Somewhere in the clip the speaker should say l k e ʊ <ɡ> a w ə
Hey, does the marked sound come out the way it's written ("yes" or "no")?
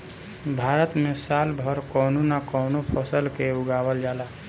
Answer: yes